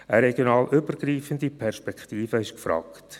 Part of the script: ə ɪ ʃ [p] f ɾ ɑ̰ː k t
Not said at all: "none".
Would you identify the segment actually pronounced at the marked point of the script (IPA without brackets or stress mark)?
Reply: k